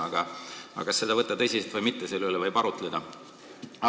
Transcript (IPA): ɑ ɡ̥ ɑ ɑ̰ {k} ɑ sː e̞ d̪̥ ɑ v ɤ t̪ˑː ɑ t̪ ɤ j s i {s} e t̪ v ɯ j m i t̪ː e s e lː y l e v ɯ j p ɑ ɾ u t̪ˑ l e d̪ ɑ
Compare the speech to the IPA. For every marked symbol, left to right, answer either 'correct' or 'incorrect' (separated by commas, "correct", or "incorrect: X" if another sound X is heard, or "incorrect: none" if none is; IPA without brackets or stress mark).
correct, correct